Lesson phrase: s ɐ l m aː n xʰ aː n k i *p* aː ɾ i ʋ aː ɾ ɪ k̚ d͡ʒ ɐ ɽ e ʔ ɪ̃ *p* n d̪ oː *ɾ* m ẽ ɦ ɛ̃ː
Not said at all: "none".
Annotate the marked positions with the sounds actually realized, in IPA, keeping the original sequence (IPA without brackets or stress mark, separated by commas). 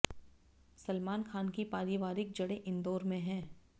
p, none, ɾ